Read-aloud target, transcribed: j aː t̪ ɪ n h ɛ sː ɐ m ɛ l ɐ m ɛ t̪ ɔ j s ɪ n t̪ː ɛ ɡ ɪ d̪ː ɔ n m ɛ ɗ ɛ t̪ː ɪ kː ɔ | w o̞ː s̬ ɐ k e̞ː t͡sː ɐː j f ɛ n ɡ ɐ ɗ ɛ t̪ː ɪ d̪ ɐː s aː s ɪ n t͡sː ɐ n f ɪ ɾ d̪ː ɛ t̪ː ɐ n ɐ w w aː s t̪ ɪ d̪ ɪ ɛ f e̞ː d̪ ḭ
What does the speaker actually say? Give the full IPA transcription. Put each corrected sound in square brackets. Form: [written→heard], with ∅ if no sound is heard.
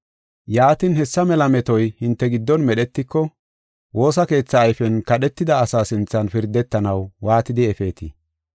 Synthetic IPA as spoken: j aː t̪ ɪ n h ɛ sː ɐ m ɛ l ɐ m ɛ t̪ ɔ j [s→h] ɪ n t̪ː ɛ ɡ ɪ d̪ː ɔ n m ɛ ɗ ɛ t̪ː ɪ kː ɔ | w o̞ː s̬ ɐ k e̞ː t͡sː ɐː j f ɛ n [ɡ→k] ɐ ɗ ɛ t̪ː ɪ d̪ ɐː s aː s ɪ n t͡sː ɐ n f ɪ ɾ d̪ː ɛ t̪ː ɐ n ɐ w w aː [s→∅] t̪ ɪ d̪ ɪ ɛ f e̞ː [d̪→t̪] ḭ

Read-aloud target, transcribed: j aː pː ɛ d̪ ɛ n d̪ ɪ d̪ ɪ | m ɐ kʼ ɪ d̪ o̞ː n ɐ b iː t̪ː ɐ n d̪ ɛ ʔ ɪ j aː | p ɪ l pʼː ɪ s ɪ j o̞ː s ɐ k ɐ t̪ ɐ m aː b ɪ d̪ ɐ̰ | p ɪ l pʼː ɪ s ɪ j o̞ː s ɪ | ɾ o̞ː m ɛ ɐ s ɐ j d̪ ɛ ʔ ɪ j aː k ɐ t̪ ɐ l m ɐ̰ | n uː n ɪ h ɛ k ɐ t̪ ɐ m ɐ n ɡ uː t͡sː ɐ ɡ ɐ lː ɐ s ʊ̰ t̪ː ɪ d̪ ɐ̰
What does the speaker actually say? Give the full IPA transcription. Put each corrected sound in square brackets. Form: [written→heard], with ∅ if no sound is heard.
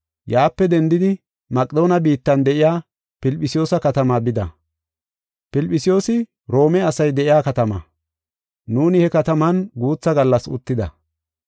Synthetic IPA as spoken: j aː pː ɛ d̪ ɛ n d̪ ɪ d̪ ɪ | m ɐ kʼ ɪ d̪ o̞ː n ɐ b iː t̪ː ɐ n d̪ ɛ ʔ ɪ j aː | p ɪ l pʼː ɪ s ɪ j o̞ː s ɐ k ɐ t̪ ɐ m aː b ɪ d̪ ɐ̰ | p ɪ l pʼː ɪ s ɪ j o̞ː s ɪ | ɾ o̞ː m ɛ ɐ s ɐ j d̪ ɛ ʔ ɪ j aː k ɐ t̪ ɐ [l→∅] m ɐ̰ | n uː n ɪ h ɛ k ɐ t̪ ɐ m ɐ n ɡ uː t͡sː ɐ ɡ ɐ lː ɐ s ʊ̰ t̪ː ɪ d̪ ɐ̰

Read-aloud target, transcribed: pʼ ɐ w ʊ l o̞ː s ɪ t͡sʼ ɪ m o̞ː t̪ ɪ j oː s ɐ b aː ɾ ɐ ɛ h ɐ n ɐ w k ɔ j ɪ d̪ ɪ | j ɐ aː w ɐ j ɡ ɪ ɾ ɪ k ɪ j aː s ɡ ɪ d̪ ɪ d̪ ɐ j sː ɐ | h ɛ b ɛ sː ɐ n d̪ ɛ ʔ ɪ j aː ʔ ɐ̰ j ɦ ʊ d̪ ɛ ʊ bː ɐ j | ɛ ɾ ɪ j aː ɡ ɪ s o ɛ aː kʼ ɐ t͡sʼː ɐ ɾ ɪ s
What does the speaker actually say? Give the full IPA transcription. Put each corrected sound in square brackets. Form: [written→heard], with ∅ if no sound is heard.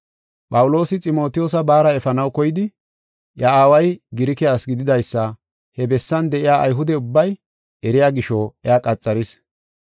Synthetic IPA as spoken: pʼ ɐ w ʊ l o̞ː s ɪ t͡sʼ ɪ m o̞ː t̪ ɪ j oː s ɐ b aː ɾ ɐ ɛ [h→f] ɐ n ɐ w k ɔ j ɪ d̪ ɪ | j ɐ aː w ɐ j ɡ ɪ ɾ ɪ k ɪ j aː s ɡ ɪ d̪ ɪ d̪ ɐ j sː ɐ | h ɛ b ɛ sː ɐ n d̪ ɛ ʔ ɪ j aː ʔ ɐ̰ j ɦ ʊ d̪ ɛ ʊ bː ɐ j | ɛ ɾ ɪ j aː ɡ ɪ [s→ʃ] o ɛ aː kʼ ɐ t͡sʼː ɐ ɾ ɪ s

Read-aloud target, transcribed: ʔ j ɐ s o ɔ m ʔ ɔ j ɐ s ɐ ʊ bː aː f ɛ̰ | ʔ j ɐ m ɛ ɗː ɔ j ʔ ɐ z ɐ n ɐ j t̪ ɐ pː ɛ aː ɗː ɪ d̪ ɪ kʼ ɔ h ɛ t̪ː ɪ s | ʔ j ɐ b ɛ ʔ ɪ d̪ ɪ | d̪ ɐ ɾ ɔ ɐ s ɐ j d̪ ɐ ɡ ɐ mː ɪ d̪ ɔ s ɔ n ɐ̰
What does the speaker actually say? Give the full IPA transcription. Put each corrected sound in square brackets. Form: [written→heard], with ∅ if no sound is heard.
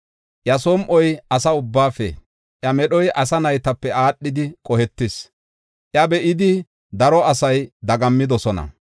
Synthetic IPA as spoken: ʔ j ɐ s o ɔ m ʔ ɔ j ɐ s ɐ ʊ bː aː f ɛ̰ | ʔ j ɐ m ɛ [ɗː→ɗ] ɔ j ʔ ɐ [z→s] ɐ n ɐ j t̪ ɐ pː ɛ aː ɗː ɪ d̪ ɪ kʼ ɔ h ɛ t̪ː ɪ s | ʔ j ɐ b ɛ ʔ ɪ d̪ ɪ | d̪ ɐ ɾ ɔ ɐ s ɐ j d̪ ɐ ɡ ɐ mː ɪ d̪ ɔ s ɔ n ɐ̰

